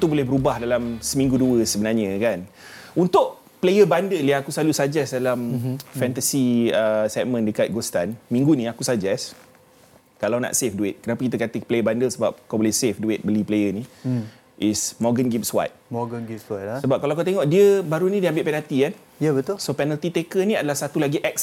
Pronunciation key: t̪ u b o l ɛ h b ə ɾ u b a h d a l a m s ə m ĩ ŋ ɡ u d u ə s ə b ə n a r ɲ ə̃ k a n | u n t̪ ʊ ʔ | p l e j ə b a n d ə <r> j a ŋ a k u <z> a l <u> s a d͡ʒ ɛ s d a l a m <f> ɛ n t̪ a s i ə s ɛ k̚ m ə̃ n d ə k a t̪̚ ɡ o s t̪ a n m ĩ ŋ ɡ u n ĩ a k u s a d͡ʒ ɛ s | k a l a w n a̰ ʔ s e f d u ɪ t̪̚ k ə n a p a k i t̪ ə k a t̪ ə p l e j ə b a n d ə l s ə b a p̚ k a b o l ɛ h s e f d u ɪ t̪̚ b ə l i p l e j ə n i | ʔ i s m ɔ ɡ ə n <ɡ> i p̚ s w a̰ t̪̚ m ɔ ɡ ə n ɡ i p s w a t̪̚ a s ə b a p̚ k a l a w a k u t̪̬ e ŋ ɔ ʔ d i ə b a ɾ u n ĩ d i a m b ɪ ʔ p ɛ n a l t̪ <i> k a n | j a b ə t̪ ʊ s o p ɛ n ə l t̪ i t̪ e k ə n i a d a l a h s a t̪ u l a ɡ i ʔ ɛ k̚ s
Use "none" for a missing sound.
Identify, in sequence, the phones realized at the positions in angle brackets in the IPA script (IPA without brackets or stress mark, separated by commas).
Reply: l, s, u, f, ɡ, i